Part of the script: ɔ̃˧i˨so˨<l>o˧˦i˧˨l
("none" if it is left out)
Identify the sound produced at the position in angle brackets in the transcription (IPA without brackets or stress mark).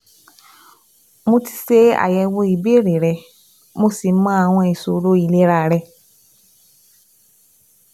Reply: ɾ